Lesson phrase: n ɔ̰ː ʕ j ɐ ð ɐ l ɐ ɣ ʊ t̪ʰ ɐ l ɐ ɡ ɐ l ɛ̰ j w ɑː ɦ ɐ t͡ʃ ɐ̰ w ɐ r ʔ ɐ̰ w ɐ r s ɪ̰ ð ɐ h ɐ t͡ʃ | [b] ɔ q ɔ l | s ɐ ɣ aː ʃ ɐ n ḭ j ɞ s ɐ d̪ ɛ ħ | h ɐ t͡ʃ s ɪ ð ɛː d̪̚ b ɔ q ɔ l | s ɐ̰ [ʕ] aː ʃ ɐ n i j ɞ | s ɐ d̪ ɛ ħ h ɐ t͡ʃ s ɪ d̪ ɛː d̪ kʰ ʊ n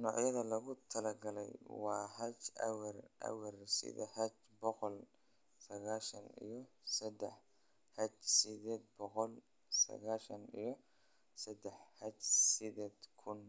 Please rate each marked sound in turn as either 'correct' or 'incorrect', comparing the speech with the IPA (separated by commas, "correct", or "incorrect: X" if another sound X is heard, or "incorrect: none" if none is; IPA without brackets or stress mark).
correct, incorrect: ɣ